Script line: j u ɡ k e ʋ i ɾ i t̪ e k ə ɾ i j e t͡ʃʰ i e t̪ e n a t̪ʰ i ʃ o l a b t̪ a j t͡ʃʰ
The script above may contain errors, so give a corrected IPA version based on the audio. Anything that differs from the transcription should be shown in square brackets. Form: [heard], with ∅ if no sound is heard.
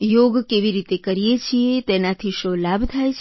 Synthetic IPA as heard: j [o] ɡ k e ʋ i ɾ i t̪ e k ə ɾ i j e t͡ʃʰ i e t̪ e n a t̪ʰ i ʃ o l a b [t̪ʰ] a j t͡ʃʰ